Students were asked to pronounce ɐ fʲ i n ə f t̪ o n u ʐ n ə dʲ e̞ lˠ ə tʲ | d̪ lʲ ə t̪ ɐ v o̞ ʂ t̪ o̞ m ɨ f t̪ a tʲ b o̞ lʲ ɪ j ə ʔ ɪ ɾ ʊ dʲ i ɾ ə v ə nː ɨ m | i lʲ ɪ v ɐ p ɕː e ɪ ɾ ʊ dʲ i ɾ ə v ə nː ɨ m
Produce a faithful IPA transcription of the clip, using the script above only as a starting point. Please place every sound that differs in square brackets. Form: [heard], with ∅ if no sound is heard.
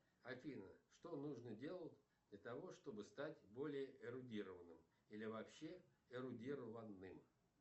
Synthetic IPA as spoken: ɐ fʲ i n ə [ʂ] t̪ o n u ʐ n ə dʲ e̞ lˠ ə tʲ | d̪ lʲ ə t̪ ɐ v o̞ ʂ t̪ o̞ [b] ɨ [s] t̪ a tʲ b o̞ lʲ ɪ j ə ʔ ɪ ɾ ʊ dʲ i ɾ ə v ə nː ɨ m | i lʲ ɪ v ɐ p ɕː e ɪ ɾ ʊ dʲ i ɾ ə v ə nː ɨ m